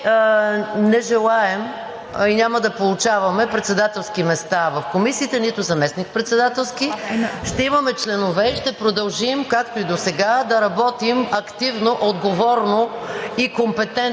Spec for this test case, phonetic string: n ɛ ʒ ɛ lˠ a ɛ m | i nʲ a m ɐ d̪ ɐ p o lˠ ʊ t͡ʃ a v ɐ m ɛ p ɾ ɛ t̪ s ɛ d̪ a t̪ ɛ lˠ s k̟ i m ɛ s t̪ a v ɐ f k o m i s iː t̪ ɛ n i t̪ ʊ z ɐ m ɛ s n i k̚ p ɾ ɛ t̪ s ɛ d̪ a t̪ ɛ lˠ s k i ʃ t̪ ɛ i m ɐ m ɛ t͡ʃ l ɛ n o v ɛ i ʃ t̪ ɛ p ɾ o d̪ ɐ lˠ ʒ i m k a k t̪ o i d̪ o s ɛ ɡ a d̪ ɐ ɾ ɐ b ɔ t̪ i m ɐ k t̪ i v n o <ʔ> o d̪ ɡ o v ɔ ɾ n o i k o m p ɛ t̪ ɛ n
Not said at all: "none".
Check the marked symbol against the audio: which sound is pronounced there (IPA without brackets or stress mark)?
ʔ